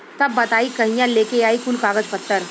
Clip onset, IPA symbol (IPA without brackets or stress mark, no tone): t̪